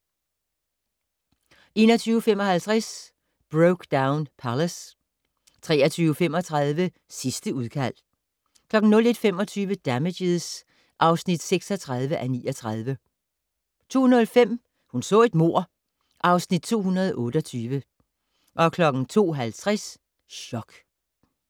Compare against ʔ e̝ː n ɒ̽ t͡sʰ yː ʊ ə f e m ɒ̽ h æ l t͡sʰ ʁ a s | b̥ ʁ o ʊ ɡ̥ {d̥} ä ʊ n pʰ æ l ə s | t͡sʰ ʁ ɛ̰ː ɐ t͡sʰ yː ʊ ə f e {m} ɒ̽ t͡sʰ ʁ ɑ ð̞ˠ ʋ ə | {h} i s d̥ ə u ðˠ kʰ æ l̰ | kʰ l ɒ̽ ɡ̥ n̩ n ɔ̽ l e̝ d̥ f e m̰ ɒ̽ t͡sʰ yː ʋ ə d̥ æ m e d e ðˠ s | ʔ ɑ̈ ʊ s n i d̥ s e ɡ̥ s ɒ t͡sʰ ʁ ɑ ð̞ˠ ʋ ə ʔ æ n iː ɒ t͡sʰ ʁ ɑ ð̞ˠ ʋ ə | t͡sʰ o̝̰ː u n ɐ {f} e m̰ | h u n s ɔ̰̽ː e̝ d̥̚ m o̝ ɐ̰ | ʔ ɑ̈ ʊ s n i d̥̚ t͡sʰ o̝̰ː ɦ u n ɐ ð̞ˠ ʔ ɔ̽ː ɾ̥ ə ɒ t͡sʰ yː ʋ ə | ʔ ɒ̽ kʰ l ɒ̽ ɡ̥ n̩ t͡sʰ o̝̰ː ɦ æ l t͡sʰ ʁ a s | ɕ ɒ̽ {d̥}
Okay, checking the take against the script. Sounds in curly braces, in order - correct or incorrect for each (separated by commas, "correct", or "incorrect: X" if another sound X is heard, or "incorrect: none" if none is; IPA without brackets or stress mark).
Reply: correct, correct, incorrect: s, correct, incorrect: ɡ̥